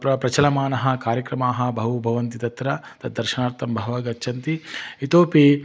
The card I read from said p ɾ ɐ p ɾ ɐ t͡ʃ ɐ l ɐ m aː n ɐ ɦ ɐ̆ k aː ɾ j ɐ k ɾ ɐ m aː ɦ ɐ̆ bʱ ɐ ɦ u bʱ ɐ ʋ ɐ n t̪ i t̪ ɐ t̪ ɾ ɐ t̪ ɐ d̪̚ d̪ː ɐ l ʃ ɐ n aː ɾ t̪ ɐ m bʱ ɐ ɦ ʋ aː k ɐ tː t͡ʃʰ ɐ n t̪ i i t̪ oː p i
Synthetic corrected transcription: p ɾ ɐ p ɾ ɐ t͡ʃ ɐ l ɐ m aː n ɐ ɦ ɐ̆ k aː ɾ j ɐ k ɾ ɐ m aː ɦ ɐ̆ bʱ ɐ ɦ u bʱ ɐ ʋ ɐ n t̪ i t̪ ɐ t̪ ɾ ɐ t̪ ɐ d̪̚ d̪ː ɐ ɾ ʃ ɐ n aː ɾ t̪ ɐ m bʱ ɐ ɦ ʋ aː ɡ ɐ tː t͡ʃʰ ɐ n t̪ i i t̪ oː p i